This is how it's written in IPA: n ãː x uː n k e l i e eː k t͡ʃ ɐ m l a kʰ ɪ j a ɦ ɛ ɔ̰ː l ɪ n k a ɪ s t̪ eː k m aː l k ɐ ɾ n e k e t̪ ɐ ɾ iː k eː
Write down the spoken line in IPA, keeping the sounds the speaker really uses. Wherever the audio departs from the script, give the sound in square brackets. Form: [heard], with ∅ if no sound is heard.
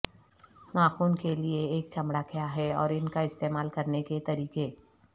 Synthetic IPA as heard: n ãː x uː n k e l i e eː k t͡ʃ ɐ m [ɽ] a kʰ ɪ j a ɦ ɛ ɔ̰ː [ɾ] ɪ n k a ɪ s t̪ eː [∅] m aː l k ɐ ɾ n e k e t̪ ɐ ɾ iː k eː

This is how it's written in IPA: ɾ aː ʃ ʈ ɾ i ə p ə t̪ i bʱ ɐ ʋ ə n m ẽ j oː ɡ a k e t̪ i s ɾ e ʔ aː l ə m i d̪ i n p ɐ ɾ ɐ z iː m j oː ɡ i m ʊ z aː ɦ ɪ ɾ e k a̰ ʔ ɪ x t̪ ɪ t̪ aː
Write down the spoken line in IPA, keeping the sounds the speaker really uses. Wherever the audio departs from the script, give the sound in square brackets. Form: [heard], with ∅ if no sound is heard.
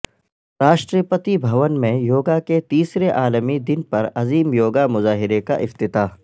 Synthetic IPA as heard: ɾ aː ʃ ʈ ɾ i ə p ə t̪ i bʱ ɐ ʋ ə n m ẽ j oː ɡ a k e t̪ [iː] s ɾ e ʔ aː l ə m i d̪ [ɪ] n p ɐ ɾ ɐ z iː m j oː ɡ [a] m ʊ z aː ɦ ɪ ɾ e k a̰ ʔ ɪ [f] t̪ ɪ t̪ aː

